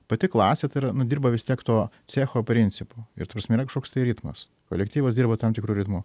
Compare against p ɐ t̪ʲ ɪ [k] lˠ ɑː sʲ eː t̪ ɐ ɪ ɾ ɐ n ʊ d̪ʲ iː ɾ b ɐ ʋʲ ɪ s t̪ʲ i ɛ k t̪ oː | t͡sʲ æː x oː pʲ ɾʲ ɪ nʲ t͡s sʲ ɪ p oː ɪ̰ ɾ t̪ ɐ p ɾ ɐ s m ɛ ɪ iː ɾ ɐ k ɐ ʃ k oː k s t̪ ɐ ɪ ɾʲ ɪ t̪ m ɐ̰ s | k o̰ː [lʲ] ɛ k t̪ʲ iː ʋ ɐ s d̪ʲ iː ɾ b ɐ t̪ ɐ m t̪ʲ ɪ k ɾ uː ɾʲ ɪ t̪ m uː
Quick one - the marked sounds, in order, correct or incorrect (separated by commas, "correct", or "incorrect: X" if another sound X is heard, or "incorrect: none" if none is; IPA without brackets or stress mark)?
correct, correct